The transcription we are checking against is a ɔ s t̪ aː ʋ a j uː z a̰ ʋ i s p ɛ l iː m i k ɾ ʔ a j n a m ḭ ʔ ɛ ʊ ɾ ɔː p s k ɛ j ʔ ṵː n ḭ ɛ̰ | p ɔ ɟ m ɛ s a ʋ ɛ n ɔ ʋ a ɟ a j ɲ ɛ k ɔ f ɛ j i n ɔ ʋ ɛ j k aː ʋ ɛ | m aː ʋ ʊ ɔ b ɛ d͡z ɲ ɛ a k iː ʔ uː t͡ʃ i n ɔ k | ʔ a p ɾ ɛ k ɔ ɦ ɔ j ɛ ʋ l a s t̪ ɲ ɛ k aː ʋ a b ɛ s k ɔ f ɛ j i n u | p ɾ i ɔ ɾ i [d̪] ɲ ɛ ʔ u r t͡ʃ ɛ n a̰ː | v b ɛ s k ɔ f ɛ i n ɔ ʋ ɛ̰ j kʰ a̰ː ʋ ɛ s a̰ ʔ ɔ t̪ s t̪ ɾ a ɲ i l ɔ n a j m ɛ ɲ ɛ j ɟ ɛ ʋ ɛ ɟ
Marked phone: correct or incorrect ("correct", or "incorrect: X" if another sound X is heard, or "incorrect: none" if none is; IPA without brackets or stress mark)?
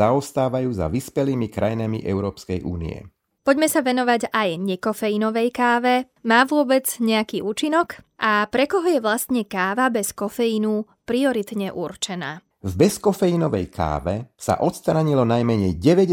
incorrect: t̪